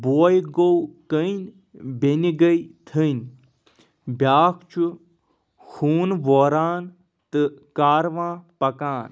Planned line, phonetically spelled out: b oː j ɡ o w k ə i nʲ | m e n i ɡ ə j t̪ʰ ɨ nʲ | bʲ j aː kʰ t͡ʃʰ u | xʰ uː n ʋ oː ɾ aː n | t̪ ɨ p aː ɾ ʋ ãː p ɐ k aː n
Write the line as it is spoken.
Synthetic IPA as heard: b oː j ɡ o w k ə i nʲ | b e n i ɡ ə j t̪ʰ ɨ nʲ | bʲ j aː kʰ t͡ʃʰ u | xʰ uː n ʋ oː ɾ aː n | t̪ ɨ k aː ɾ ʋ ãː p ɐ k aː n

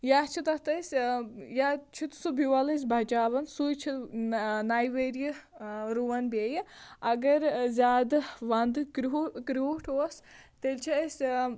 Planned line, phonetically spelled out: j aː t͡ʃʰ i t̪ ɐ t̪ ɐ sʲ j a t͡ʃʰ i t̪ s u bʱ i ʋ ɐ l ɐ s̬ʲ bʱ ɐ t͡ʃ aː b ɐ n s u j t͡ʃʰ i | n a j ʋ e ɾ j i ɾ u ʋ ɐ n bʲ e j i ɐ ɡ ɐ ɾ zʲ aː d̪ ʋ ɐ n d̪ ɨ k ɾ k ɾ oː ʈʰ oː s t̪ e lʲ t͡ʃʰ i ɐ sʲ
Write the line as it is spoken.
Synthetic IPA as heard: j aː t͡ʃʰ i t̪ ɐ t̪ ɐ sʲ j a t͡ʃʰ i t̪ s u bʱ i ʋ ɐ l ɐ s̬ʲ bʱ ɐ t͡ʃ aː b ɐ n s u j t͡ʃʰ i | n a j ʋ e ɾ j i ɾ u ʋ ɐ n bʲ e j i ɐ ɡ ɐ ɾ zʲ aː d̪ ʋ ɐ n d̪ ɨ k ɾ k ɾ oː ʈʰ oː s t̪ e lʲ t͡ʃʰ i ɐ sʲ

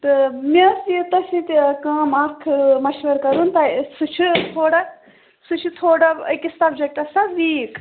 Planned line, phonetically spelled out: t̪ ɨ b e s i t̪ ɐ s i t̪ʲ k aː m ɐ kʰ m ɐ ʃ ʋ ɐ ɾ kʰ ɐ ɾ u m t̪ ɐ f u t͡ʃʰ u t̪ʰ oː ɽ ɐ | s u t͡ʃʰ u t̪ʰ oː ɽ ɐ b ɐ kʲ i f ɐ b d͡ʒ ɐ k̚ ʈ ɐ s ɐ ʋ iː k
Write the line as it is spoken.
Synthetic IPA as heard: t̪ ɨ m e s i t̪ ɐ s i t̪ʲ k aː m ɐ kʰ m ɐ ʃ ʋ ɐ ɾ k ɐ ɾ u n t̪ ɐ s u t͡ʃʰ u t̪ʰ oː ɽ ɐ | s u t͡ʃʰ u t̪ʰ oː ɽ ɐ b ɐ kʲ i s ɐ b d͡ʒ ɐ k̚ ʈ ɐ s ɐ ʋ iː k

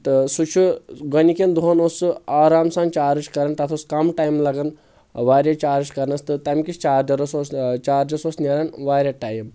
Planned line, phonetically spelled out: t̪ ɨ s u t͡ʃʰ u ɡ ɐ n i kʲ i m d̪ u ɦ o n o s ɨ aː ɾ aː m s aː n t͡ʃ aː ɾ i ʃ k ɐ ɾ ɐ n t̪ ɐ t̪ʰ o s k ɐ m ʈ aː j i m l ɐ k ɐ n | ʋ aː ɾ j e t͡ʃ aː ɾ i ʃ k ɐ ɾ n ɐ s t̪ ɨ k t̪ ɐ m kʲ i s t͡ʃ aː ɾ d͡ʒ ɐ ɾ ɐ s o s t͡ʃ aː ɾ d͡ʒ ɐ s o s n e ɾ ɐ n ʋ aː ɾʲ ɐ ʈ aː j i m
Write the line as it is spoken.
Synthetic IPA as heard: t̪ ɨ s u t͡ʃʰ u ɡ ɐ n i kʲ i n d̪ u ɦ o n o s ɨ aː ɾ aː m s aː n t͡ʃ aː ɾ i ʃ k ɐ ɾ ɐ n t̪ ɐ t̪ʰ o s k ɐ m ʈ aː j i m l ɐ ɡ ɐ n | ʋ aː ɾ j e t͡ʃ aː ɾ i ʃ k ɐ ɾ n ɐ s t̪ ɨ t̪ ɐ m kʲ i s t͡ʃ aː ɾ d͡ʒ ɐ ɾ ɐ s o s t͡ʃ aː ɾ d͡ʒ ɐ s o s n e ɾ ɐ n ʋ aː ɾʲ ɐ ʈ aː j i m

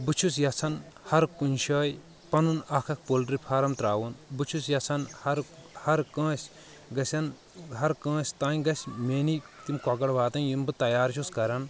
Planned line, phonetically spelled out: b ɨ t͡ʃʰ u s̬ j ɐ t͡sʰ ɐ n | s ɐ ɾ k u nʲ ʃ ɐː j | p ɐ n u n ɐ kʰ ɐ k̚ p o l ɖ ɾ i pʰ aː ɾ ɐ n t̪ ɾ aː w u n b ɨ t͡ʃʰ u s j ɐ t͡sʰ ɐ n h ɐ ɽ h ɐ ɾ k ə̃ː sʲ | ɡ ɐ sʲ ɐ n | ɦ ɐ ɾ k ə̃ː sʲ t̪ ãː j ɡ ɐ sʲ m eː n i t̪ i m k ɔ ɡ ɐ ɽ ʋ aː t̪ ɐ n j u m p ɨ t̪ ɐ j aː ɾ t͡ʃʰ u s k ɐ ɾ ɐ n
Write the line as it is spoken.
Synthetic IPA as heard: b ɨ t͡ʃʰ u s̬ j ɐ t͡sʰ ɐ n | h ɐ ɾ k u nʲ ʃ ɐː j | p ɐ n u n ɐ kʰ ɐ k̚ p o l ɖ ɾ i pʰ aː ɾ ɐ m t̪ ɾ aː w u n b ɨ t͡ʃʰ u s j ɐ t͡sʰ ɐ n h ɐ ɾ h ɐ ɾ k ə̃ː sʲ | ɡ ɐ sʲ ɐ n | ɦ ɐ ɾ k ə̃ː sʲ t̪ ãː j ɡ ɐ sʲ m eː n i t̪ i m k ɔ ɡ ɐ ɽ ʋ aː t̪ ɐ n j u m b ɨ t̪ ɐ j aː ɾ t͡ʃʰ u s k ɐ ɾ ɐ n

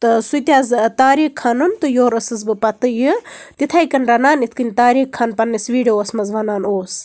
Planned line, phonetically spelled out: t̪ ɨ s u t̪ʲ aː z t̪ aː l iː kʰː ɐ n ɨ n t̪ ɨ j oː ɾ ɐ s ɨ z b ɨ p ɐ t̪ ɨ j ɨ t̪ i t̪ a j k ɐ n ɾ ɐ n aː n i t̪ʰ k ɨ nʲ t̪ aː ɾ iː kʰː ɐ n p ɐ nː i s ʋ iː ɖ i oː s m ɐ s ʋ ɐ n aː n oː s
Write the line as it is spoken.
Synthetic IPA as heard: t̪ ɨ s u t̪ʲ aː z t̪ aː ɾ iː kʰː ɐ n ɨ n t̪ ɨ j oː ɾ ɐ s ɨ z b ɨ p ɐ t̪ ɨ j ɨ t̪ i t̪ʰ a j k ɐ n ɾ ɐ n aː n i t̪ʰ k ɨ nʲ t̪ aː ɾ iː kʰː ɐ n p ɐ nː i s ʋ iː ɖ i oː s m ɐ z ʋ ɐ n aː n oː s

